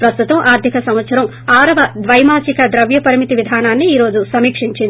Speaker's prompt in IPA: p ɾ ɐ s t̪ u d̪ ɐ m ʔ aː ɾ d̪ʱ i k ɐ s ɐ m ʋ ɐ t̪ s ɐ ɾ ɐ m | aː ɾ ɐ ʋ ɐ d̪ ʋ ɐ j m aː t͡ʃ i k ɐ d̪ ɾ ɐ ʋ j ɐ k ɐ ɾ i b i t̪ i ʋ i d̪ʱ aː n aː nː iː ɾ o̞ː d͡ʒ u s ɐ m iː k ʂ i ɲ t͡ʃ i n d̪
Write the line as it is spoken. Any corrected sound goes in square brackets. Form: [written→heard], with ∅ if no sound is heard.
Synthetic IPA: p ɾ ɐ s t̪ u [d̪→t̪] ɐ m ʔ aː ɾ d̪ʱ i k ɐ s ɐ m ʋ ɐ t̪ s ɐ ɾ ɐ m | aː ɾ ɐ ʋ ɐ d̪ ʋ ɐ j m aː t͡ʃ i k ɐ d̪ ɾ ɐ ʋ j ɐ [k→p] ɐ ɾ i [b→m] i t̪ i ʋ i d̪ʱ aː n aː nː iː ɾ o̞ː d͡ʒ u s ɐ m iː k ʂ i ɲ t͡ʃ i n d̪